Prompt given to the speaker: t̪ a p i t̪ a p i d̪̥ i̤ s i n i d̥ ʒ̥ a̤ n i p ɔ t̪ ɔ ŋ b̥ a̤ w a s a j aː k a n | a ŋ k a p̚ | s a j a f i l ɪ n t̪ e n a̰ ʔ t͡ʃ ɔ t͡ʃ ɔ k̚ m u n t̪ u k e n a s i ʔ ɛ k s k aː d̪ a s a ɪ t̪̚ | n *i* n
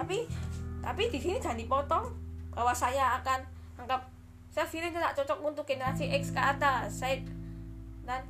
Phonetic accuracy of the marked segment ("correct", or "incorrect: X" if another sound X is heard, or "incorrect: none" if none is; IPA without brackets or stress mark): incorrect: a